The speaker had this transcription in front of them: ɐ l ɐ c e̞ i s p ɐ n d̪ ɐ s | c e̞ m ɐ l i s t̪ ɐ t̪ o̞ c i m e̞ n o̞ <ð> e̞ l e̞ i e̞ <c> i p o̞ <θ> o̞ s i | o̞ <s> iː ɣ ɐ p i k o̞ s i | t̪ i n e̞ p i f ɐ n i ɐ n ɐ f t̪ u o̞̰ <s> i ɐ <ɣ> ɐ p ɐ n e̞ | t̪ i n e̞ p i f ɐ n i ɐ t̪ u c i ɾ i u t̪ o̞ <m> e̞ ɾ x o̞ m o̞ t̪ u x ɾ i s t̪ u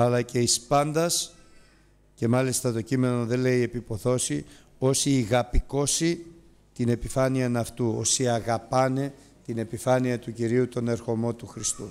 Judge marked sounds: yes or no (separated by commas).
yes, no, yes, yes, yes, yes, no